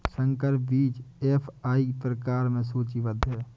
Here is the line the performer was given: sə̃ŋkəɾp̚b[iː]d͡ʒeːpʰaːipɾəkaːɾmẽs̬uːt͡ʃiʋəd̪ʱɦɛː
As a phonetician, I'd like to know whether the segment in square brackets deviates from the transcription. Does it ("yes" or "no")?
no